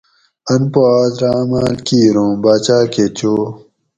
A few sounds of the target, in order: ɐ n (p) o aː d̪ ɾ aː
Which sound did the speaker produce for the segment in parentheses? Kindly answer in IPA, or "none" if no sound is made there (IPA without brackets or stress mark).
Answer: p